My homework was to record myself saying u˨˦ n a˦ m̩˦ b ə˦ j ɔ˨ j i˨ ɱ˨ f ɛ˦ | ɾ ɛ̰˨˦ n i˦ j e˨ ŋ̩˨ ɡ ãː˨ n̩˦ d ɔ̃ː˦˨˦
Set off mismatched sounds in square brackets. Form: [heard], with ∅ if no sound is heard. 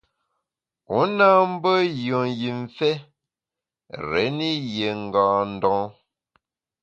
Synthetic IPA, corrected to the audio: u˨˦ n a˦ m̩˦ b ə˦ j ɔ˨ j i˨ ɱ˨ f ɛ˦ | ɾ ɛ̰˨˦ n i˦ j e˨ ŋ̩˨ ɡ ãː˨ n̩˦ d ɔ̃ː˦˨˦